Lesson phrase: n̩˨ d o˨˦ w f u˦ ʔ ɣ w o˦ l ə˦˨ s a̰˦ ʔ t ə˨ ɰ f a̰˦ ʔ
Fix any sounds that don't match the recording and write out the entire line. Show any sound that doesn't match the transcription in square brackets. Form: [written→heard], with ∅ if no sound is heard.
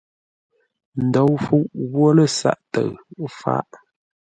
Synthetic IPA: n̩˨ d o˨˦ w f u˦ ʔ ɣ w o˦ l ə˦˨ s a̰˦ ʔ t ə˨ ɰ f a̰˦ ʔ